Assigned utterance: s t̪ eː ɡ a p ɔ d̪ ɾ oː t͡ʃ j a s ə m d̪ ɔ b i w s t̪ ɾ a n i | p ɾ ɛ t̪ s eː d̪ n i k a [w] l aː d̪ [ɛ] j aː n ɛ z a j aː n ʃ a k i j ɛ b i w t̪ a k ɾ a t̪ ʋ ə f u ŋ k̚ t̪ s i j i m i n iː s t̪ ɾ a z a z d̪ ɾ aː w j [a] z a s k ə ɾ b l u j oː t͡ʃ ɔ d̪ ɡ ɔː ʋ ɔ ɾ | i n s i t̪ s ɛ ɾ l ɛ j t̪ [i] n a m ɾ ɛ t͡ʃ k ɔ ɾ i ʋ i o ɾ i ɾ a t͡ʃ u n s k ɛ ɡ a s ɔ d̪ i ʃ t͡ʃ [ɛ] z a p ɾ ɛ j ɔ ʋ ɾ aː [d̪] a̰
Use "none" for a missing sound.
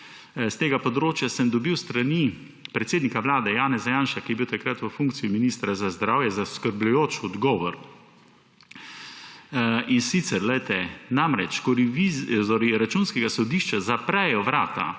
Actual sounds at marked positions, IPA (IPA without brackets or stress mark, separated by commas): ʋ, ɛ, ɛ, ɛ, a, t̪